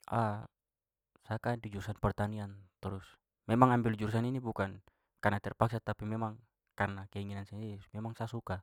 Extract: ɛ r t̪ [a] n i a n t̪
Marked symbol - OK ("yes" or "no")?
yes